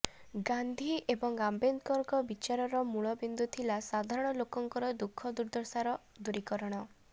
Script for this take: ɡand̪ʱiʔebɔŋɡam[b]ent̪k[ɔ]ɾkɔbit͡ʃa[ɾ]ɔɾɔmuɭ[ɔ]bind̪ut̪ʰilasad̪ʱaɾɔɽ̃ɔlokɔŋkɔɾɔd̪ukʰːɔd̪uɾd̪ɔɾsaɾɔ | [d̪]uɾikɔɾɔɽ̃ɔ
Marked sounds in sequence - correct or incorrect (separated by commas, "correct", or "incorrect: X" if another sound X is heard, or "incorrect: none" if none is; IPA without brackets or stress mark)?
correct, correct, correct, correct, correct